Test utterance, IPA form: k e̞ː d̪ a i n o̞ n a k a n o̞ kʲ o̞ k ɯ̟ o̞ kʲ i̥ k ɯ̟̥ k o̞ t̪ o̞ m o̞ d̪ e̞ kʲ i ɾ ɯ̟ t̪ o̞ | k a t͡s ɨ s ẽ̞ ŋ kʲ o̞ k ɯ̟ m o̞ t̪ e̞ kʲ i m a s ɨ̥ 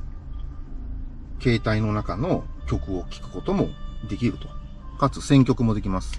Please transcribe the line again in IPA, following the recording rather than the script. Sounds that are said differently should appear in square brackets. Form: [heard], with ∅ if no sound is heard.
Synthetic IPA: k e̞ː [t̪] a i n o̞ n a k a n o̞ kʲ o̞ k ɯ̟ o̞ kʲ i̥ k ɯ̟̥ k o̞ t̪ o̞ m o̞ d̪ e̞ kʲ i ɾ ɯ̟ t̪ o̞ | k a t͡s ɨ s ẽ̞ ŋ kʲ o̞ k ɯ̟ m o̞ [d̪] e̞ kʲ i m a s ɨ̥